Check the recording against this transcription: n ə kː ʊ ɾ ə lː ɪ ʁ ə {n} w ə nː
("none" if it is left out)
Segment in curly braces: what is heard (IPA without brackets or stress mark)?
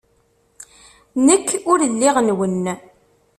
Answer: n